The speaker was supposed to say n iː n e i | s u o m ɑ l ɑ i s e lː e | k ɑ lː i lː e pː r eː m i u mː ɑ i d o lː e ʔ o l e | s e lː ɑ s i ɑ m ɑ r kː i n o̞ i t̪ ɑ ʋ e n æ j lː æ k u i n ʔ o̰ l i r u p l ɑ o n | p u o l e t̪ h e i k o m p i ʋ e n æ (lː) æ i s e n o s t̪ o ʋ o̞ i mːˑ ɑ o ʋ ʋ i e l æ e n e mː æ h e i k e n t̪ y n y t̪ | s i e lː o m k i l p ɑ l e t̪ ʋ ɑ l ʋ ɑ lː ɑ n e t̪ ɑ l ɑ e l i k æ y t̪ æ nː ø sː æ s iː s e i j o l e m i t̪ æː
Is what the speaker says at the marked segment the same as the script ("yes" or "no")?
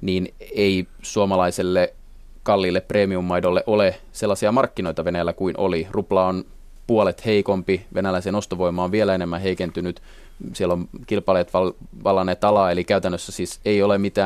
no